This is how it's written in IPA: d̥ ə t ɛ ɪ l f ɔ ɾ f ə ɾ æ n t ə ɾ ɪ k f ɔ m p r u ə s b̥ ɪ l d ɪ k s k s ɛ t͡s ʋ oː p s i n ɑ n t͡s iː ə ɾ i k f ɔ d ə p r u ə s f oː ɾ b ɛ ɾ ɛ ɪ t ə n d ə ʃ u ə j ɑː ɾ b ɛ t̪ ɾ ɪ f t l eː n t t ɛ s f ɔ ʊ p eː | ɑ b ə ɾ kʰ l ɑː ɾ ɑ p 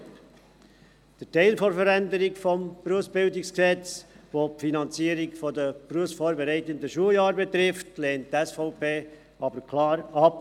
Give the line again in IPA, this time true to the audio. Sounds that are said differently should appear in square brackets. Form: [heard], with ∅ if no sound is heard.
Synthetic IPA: d̥ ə t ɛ ɪ l f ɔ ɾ f ə ɾ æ n [d] ə ɾ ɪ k f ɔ m p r u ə s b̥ ɪ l d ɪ k s k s ɛ t͡s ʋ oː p [f] i n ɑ n t͡s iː ə ɾ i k f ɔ d ə p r u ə s f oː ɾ b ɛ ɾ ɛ ɪ t ə n d ə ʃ u ə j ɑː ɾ b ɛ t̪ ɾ ɪ f t l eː n t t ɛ s f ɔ ʊ p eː | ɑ b ə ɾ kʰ l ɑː ɾ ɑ p